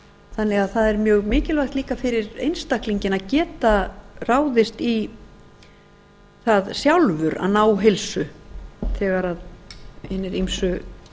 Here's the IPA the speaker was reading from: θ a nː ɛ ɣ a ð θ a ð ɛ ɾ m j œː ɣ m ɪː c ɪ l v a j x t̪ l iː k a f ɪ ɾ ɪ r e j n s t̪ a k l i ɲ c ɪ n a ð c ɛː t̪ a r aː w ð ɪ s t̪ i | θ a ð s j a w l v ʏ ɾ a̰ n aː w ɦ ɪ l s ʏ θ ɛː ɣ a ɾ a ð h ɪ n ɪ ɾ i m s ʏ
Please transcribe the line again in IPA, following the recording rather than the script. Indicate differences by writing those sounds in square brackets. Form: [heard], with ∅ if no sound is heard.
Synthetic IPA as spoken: θ a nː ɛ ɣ a ð θ a ð ɛ ɾ m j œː ɣ m ɪː c ɪ l v a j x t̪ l iː k a f ɪ ɾ ɪ [ɾ] e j n s t̪ a k l i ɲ c ɪ n a ð c ɛː t̪ a r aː w ð ɪ s t̪ i | θ a ð s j a w l v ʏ ɾ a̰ n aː w ɦ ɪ l s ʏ θ ɛː ɣ a ɾ a ð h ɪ n ɪ ɾ i m s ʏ